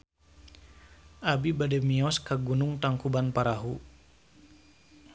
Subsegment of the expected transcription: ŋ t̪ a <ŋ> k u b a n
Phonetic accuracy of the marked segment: correct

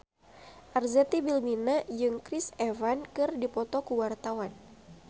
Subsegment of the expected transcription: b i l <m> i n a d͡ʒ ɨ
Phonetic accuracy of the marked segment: correct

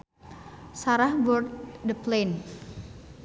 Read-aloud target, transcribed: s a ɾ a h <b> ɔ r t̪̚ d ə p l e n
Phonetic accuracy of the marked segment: correct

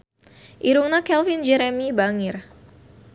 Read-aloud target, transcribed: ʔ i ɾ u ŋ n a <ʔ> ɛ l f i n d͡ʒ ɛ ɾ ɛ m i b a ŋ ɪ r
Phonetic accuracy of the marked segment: incorrect: k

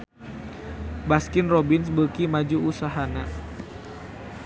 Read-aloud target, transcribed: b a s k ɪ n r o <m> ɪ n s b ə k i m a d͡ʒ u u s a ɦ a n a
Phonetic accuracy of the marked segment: incorrect: b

